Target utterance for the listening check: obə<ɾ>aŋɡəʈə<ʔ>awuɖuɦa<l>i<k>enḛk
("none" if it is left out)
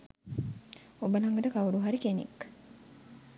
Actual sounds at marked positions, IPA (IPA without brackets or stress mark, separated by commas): l, k, ɾ, k